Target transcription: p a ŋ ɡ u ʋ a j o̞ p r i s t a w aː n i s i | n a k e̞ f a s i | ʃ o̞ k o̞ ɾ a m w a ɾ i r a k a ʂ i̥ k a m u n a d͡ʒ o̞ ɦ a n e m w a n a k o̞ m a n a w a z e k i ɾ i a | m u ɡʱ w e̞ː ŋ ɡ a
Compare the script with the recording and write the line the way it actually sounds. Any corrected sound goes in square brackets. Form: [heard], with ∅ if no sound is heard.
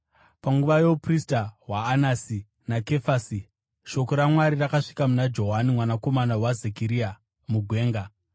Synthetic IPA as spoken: p a ŋ ɡ u ʋ a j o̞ p r i s t a w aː n [a] s i | n a k e̞ f a s i | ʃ o̞ k o̞ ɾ a m w a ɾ i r a k a ʂ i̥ k a m u n a d͡ʒ o̞ ɦ a n [i] m w a n a k o̞ m a n a w a z e k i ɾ i a | m u ɡʱ w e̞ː ŋ ɡ a